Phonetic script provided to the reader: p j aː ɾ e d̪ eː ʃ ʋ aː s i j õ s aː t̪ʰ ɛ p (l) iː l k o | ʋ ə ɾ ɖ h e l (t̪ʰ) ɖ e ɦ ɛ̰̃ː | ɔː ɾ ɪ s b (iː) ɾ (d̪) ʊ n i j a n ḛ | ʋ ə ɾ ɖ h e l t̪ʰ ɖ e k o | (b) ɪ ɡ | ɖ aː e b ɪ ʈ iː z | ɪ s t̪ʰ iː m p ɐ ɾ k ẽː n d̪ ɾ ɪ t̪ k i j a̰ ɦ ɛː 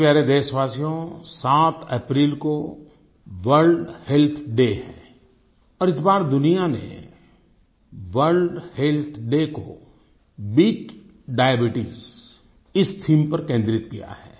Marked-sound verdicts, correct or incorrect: incorrect: ɾ, correct, incorrect: aː, correct, correct

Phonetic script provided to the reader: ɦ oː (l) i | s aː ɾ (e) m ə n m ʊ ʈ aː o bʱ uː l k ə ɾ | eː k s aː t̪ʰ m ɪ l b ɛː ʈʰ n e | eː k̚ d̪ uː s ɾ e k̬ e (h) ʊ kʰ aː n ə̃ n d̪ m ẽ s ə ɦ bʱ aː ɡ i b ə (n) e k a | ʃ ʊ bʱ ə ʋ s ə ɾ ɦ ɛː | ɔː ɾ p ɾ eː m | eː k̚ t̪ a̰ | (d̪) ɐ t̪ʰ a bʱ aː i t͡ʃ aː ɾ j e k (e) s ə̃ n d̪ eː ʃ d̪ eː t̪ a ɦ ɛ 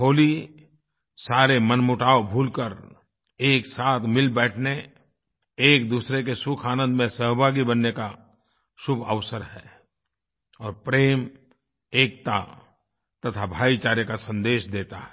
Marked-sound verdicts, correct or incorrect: correct, correct, incorrect: s, incorrect: nː, incorrect: t̪, incorrect: a

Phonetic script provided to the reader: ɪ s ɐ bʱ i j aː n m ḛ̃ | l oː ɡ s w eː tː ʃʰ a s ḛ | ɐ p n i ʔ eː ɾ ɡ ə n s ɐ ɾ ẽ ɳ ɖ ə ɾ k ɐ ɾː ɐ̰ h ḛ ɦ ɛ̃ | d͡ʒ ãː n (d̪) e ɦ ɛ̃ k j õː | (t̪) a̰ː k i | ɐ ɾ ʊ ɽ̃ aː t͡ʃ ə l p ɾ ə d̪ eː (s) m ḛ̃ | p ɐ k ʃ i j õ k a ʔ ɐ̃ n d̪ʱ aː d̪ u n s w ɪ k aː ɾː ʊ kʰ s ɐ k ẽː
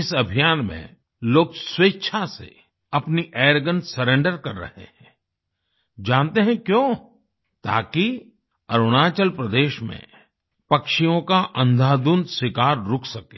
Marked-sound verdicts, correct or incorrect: incorrect: t̪, correct, incorrect: ʃ

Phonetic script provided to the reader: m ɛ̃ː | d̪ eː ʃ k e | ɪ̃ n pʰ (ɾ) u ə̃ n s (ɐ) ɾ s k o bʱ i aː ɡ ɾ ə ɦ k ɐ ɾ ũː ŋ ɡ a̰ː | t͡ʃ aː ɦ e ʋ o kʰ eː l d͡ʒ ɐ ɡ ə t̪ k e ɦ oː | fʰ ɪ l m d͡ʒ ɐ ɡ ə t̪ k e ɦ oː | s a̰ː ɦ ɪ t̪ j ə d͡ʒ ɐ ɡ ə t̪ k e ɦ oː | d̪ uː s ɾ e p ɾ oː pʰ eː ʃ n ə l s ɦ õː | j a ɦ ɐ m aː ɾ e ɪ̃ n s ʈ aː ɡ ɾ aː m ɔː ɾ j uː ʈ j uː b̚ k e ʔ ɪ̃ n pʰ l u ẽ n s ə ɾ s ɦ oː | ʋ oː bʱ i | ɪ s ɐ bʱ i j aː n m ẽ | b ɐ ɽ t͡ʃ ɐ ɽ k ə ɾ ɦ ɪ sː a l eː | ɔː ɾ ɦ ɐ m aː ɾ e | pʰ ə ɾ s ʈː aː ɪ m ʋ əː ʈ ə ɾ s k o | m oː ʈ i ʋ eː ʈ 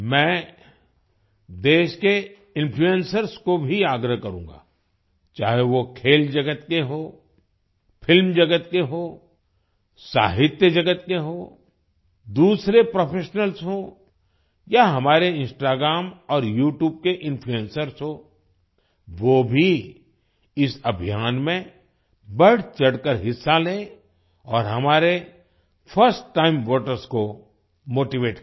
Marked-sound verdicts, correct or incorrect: incorrect: l, incorrect: ə

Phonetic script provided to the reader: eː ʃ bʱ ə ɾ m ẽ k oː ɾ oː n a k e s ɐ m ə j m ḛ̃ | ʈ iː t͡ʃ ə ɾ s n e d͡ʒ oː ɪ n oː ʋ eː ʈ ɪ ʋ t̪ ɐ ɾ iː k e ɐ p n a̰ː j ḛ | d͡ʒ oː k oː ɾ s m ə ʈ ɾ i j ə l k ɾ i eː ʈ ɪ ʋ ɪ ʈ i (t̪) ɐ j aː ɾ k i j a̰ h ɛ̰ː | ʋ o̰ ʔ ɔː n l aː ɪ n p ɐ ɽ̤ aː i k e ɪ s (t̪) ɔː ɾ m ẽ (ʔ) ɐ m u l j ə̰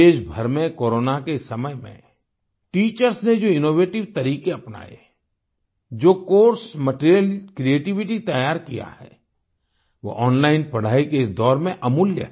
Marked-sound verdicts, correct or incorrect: correct, incorrect: d̪, correct

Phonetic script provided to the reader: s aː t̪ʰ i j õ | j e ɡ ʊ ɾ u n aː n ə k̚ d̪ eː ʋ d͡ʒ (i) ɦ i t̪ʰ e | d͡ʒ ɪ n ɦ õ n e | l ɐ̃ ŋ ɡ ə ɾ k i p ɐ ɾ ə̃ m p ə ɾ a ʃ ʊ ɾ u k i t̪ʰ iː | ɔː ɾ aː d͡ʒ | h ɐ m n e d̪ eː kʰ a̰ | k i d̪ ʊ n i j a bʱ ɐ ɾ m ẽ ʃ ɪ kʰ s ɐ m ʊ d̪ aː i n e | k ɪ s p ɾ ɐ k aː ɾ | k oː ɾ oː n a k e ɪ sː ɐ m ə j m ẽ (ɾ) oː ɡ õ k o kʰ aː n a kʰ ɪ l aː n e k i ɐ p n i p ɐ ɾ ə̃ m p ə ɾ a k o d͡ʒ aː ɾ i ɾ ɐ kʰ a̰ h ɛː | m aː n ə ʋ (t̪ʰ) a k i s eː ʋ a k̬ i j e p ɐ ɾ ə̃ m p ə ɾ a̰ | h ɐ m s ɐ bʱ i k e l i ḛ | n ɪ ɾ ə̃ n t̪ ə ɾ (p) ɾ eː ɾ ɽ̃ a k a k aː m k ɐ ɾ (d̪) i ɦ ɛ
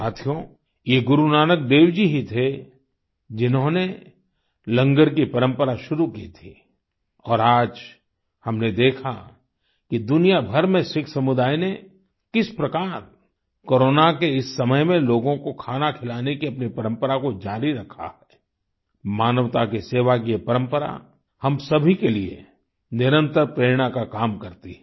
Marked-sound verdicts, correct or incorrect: correct, incorrect: l, incorrect: t̪, correct, incorrect: t̪

